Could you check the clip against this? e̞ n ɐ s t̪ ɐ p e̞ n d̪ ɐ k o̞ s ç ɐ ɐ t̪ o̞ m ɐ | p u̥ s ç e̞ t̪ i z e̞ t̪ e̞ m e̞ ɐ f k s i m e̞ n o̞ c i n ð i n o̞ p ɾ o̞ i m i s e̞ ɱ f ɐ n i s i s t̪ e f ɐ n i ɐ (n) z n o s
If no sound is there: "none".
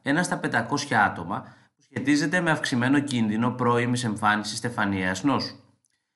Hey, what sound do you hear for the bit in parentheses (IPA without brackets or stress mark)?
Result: none